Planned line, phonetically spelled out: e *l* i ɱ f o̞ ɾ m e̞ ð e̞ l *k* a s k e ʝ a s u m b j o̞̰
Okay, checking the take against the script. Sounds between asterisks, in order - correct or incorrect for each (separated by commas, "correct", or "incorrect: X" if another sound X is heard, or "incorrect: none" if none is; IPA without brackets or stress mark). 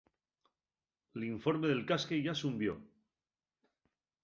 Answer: correct, correct